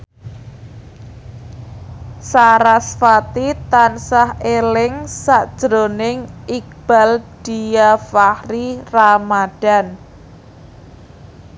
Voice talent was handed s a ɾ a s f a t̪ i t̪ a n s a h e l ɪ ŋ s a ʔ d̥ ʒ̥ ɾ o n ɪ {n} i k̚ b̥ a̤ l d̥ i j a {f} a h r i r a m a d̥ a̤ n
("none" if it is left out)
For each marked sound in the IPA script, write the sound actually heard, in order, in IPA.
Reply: ŋ, f

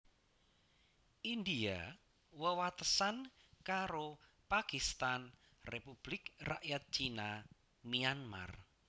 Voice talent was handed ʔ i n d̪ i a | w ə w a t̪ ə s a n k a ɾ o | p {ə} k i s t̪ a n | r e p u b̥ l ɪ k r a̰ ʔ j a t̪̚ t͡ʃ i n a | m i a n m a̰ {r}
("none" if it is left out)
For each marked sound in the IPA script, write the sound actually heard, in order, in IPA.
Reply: a, r

